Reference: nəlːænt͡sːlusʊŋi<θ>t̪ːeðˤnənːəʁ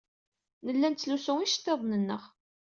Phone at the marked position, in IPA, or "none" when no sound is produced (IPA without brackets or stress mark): ʃ